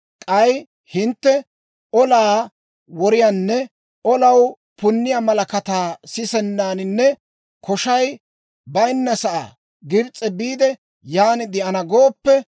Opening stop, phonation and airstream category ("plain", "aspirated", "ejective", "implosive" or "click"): ejective